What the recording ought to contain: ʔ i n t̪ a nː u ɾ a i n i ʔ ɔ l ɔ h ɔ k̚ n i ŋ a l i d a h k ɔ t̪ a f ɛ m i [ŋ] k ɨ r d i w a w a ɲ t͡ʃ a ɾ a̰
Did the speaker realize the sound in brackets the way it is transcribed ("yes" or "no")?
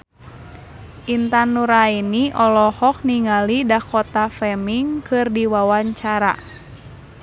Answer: yes